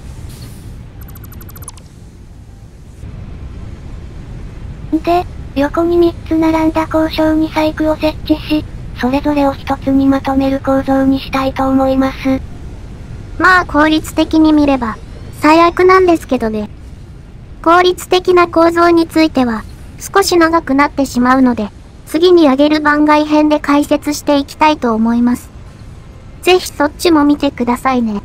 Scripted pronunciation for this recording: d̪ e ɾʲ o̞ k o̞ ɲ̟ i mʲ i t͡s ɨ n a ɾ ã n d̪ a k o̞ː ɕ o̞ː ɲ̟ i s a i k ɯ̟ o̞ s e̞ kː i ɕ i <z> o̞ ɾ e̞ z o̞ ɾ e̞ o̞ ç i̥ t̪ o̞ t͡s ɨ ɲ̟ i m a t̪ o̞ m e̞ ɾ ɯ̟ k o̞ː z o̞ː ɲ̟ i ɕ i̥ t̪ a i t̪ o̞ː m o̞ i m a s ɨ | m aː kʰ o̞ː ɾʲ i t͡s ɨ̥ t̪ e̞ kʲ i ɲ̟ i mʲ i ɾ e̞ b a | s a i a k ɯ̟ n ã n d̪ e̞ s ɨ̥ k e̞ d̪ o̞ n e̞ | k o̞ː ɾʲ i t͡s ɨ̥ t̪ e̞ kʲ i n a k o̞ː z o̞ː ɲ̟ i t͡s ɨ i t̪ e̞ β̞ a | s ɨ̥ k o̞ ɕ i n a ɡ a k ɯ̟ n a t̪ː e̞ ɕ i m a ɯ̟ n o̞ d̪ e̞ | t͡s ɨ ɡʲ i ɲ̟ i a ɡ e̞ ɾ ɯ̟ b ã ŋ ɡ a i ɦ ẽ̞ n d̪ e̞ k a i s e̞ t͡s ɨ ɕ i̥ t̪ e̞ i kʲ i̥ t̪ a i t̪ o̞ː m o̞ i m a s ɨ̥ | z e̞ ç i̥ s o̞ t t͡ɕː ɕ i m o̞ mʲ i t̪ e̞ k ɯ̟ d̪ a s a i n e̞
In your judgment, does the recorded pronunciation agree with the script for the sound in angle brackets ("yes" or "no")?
no